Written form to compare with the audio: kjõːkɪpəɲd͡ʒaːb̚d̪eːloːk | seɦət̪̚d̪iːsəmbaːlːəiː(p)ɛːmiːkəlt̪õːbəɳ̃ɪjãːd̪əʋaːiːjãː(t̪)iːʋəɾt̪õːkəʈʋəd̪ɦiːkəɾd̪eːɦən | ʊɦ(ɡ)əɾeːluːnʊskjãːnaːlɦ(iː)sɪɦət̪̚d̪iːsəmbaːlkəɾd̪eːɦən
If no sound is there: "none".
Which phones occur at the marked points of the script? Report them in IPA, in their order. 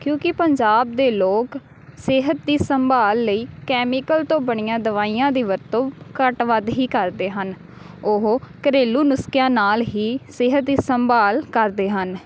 k, d̪, k, iː

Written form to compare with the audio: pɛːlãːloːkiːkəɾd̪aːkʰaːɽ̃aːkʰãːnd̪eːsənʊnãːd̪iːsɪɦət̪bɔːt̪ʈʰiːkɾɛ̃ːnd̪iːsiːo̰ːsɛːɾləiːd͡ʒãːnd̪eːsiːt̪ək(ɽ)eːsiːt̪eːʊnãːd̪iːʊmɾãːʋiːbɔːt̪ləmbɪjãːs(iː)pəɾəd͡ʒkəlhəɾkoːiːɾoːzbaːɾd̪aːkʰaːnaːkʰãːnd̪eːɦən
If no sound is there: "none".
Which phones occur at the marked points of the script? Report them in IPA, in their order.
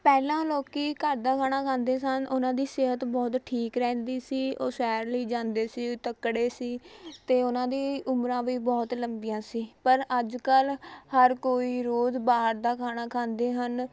ɽ, iː

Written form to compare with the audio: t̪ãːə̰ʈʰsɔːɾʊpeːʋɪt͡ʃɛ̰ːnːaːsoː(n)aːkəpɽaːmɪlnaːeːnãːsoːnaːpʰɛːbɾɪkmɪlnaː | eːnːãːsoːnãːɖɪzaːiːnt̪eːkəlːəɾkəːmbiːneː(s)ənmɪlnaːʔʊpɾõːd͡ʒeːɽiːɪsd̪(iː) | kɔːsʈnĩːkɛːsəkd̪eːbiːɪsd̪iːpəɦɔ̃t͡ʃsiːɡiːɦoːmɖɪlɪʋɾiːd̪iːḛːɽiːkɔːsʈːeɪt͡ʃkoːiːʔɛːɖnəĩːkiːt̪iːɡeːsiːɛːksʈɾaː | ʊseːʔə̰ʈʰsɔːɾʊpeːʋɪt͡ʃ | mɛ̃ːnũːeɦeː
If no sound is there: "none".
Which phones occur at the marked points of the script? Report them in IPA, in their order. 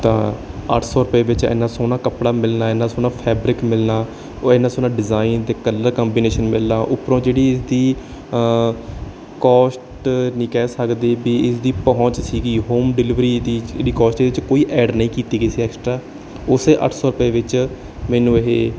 n, ʃ, iː

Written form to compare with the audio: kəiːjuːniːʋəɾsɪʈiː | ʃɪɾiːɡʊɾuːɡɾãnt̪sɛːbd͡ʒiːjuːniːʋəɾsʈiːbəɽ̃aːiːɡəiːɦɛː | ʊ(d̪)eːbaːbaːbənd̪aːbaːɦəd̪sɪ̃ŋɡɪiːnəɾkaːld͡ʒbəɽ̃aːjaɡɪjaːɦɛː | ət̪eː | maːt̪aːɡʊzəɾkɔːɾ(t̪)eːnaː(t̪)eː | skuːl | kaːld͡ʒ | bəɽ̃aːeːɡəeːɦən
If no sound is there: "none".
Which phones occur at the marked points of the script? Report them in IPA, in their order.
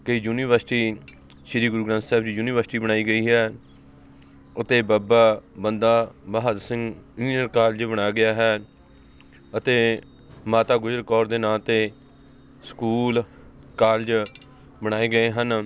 t̪, d̪, t̪

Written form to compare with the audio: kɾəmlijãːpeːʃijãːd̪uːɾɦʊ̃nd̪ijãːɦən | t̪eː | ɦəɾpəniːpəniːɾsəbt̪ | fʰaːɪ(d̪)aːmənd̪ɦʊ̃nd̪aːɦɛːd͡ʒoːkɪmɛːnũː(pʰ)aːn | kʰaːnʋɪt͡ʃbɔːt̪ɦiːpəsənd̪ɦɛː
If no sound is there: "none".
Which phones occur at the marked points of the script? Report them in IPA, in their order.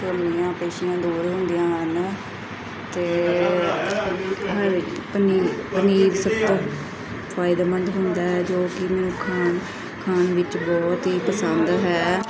d̪, kʰ

